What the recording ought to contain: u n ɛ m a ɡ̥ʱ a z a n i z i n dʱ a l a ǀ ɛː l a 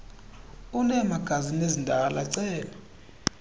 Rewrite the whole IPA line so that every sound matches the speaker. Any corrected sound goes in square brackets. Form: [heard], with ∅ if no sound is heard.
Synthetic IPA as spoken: u n ɛ m a ɡ̥ʱ a z [i] n [e] z i n dʱ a l a ǀ ɛː l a